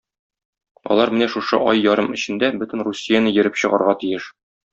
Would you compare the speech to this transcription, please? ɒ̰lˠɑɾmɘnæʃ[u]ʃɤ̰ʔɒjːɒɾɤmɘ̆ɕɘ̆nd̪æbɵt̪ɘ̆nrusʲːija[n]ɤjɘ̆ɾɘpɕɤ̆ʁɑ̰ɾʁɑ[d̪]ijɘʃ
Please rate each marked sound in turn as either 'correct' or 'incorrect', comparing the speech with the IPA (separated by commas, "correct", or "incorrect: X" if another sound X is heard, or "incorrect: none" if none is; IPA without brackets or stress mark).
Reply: correct, correct, incorrect: t̪